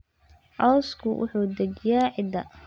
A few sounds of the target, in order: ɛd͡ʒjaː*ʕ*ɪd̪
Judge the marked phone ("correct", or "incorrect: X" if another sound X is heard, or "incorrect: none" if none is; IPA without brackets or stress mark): correct